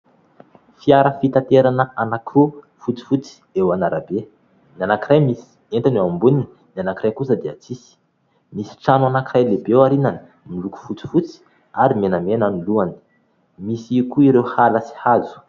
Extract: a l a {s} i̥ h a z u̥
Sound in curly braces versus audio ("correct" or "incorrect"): correct